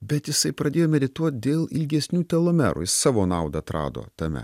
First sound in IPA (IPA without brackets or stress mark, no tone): bʲ